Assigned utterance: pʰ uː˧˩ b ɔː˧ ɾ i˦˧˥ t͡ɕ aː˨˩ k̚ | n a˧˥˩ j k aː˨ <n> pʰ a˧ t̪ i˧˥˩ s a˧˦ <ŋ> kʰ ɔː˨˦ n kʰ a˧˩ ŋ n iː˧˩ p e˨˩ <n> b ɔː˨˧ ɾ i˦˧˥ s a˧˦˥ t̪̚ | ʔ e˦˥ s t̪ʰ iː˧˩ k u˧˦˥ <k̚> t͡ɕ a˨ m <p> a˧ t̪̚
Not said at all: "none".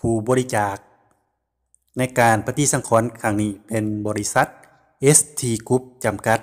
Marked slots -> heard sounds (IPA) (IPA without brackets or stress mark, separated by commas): n, ŋ, n, p̚, k